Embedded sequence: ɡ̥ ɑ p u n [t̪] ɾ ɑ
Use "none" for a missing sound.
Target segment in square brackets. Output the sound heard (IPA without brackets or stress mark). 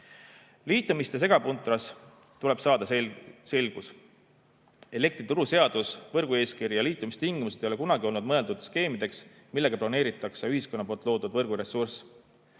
t̪